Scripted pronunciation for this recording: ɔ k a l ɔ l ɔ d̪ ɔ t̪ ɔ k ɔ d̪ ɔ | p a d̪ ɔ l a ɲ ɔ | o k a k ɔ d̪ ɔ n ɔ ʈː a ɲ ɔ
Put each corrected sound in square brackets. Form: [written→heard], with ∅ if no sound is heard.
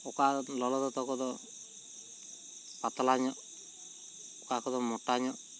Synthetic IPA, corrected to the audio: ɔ k a l ɔ l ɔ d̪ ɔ t̪ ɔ k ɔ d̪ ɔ | p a [d̪→t̪] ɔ l a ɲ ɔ | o k a k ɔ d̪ ɔ [n→m] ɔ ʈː a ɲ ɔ